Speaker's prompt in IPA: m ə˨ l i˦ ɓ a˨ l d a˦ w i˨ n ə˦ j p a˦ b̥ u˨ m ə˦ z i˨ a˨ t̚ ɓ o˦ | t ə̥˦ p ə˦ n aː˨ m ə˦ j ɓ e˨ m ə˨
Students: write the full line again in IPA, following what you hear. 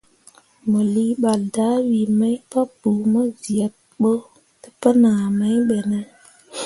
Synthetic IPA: m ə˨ l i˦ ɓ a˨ l d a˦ w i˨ m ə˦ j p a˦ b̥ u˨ m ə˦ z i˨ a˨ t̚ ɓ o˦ | t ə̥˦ p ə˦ n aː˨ m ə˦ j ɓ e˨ n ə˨